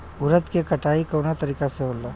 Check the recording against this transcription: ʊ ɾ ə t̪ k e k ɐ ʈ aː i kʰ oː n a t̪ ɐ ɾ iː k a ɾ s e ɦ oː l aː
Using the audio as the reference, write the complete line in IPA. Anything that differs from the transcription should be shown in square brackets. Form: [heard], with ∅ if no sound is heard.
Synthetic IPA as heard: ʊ ɾ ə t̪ k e k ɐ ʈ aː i [k] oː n a t̪ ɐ ɾ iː k a [∅] s e ɦ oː l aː